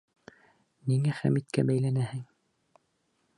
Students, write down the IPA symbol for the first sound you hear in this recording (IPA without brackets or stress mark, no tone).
n